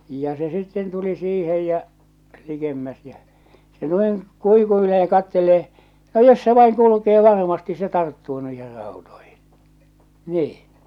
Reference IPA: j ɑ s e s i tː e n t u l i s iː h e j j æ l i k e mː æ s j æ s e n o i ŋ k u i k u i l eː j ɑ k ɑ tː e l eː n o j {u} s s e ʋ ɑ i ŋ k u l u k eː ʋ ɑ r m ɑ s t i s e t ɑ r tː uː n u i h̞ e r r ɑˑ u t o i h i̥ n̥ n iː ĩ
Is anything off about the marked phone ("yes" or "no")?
yes